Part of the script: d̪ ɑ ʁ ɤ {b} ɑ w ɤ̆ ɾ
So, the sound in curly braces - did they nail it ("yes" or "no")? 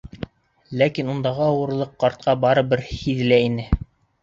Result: no